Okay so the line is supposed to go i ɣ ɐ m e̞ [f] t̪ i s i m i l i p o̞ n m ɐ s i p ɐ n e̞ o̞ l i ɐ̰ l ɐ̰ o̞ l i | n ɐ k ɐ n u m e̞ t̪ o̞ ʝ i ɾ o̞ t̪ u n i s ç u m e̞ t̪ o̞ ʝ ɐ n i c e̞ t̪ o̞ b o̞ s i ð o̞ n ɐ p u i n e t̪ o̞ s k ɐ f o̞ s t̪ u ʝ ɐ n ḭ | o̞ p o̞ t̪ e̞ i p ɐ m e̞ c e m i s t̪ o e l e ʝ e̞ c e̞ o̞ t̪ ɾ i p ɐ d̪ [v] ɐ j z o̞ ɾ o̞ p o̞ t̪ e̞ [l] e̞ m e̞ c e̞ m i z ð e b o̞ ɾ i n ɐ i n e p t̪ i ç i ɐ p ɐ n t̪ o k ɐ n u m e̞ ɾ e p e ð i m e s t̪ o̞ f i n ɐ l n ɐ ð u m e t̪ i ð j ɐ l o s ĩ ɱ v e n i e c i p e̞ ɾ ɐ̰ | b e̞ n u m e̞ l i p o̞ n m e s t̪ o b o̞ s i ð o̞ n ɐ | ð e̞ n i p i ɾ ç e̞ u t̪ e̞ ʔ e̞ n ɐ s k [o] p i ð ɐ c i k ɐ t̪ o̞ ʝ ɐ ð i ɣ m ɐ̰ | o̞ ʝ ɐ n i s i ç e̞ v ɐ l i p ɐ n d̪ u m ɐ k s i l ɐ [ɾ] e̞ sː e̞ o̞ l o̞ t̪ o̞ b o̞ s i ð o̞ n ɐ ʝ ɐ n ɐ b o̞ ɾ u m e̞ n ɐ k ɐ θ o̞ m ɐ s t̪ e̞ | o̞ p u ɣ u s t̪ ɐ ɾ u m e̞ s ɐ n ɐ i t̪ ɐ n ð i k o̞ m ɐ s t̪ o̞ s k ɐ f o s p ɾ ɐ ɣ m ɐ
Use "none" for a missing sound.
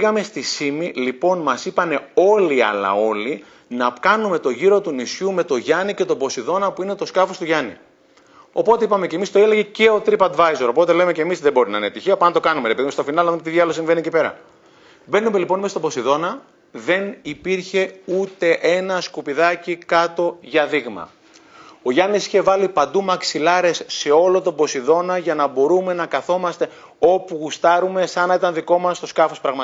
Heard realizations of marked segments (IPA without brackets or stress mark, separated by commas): s, v, l, u, ɾ